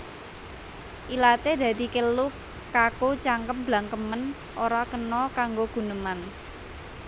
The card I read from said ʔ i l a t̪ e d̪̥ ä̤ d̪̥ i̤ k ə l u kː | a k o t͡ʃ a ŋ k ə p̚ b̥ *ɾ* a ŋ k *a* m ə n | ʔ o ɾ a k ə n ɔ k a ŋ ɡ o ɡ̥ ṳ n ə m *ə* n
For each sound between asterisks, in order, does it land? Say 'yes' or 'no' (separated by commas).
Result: no, no, no